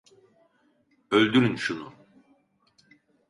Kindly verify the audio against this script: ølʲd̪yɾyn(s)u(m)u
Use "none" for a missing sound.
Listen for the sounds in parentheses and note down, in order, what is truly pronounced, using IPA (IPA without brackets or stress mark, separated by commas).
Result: ʃ, n